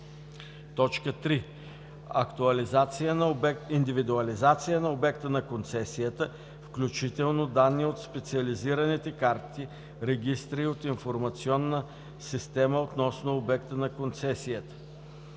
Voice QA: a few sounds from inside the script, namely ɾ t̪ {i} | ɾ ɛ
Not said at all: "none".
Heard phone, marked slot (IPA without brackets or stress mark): i